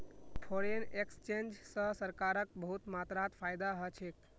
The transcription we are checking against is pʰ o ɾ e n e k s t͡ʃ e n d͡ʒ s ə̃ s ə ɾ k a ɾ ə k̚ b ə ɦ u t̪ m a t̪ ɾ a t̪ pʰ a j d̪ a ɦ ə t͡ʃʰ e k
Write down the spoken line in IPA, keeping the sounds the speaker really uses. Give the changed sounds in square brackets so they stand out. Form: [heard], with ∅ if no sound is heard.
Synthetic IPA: pʰ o ɾ e n e k s t͡ʃ e n d͡ʒ s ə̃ s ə ɾ k a ɾ ə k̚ b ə ɦ u t̪ m a t̪ ɾ a t̪ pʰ a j d̪ a ɦ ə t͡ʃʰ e k